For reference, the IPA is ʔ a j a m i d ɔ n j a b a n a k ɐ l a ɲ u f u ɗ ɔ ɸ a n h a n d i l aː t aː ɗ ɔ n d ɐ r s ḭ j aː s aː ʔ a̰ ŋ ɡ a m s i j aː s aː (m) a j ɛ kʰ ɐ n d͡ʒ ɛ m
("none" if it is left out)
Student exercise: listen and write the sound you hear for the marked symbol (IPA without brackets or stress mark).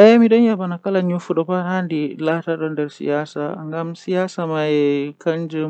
m